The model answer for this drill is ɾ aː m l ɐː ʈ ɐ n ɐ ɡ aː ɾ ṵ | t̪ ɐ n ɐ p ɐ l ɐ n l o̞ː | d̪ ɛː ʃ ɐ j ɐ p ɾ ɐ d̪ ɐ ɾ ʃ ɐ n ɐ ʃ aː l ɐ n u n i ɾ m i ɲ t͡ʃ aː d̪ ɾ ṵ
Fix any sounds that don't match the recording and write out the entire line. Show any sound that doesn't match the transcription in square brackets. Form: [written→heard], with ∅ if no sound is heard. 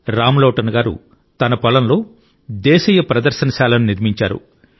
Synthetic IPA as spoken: ɾ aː m l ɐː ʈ ɐ n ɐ ɡ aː ɾ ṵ | t̪ ɐ n ɐ p ɐ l ɐ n l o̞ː | d̪ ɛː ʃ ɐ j ɐ p ɾ ɐ d̪ ɐ ɾ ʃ ɐ n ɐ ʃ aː l ɐ n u n i ɾ m i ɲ t͡ʃ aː [d̪→∅] ɾ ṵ